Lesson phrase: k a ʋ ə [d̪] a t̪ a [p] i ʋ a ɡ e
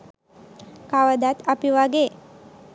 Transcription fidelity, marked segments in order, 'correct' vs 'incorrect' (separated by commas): correct, correct